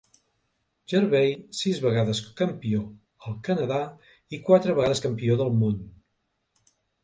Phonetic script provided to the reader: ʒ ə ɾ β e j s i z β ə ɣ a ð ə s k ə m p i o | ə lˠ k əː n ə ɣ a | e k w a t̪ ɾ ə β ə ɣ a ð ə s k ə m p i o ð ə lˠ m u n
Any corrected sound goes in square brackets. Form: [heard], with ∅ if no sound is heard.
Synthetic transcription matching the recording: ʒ ə ɾ β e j s i z β ə ɣ a ð ə s k ə m p i o | ə lˠ k [ə] n ə [ð] a | [i] k w a t̪ ɾ ə β ə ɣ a ð ə s k ə m p i o ð ə lˠ m u n